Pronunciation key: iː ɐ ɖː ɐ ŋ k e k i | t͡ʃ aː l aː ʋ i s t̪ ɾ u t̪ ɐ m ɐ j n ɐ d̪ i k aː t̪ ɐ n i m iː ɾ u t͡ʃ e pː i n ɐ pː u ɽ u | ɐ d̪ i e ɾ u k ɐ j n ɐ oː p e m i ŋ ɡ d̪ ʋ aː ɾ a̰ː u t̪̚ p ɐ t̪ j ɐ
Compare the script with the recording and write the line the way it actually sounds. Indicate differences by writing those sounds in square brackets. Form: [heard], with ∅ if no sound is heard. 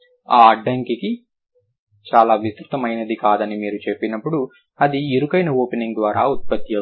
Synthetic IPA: [aː] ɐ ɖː ɐ ŋ k [i] k i | t͡ʃ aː l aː ʋ i s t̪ ɾ u t̪ ɐ m ɐ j n ɐ d̪ i k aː [d̪] ɐ n i m iː ɾ u t͡ʃ e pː i n ɐ pː u ɽ u | ɐ d̪ i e ɾ u k ɐ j n ɐ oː p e [n] i ŋ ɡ d̪ ʋ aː ɾ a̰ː u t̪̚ p ɐ t̪ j ɐ